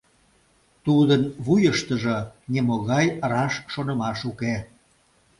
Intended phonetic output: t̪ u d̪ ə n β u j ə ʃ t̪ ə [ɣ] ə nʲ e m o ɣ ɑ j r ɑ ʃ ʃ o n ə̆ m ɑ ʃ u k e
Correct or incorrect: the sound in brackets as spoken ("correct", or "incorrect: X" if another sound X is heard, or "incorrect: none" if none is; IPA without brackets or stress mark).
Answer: incorrect: ʒ